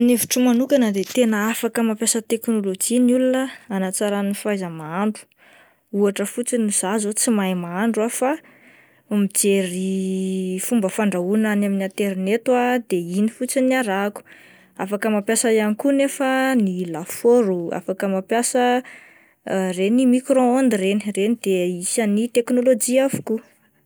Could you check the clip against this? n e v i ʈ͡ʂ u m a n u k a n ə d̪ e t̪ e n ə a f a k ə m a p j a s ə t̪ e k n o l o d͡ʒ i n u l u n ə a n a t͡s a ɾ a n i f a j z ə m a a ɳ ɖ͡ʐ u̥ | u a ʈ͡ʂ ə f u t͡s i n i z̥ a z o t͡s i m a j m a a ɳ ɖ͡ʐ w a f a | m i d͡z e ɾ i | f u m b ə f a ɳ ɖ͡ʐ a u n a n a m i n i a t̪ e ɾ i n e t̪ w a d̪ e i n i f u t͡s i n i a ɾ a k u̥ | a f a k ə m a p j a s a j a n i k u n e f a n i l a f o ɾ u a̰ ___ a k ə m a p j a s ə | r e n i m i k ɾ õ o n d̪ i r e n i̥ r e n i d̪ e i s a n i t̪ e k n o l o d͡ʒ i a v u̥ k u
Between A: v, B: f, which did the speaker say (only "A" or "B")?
B